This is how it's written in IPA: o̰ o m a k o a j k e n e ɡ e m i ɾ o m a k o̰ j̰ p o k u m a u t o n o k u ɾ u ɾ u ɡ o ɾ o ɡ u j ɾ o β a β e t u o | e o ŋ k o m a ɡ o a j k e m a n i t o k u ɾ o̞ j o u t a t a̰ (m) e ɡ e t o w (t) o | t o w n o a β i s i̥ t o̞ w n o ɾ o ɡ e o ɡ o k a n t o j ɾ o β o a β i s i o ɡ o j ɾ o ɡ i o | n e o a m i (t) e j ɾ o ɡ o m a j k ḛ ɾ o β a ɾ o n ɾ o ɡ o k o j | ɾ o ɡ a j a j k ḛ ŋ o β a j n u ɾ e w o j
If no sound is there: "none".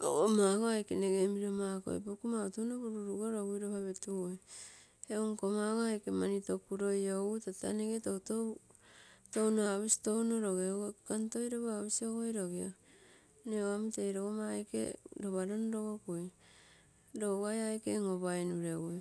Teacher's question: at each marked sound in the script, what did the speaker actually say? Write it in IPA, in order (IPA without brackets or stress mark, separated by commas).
n, t, t